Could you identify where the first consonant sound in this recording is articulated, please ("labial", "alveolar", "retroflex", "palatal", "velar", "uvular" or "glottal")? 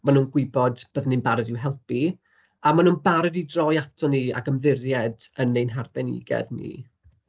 labial